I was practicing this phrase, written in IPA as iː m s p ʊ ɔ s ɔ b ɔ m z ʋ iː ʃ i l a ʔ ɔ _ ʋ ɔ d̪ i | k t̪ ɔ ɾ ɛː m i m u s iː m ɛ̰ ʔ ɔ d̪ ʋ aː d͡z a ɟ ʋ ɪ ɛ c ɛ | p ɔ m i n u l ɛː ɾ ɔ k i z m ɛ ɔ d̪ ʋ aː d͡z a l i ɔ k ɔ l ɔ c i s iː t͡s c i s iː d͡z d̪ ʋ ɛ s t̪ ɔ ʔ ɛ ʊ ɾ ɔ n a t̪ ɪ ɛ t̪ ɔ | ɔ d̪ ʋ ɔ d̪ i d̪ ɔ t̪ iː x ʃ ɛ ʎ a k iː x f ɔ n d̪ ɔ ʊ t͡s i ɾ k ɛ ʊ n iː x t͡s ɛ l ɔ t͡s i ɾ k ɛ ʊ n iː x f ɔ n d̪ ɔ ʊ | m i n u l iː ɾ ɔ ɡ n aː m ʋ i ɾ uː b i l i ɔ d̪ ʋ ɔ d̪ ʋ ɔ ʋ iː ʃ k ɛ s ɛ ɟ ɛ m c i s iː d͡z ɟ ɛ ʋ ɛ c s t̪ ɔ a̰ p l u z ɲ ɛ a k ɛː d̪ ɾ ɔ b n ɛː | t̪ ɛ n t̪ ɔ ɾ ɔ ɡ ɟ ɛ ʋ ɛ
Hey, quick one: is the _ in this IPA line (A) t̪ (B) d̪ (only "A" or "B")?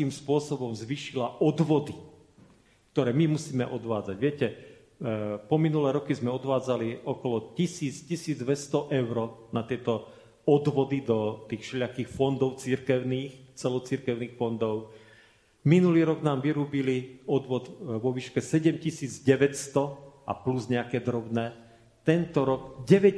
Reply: B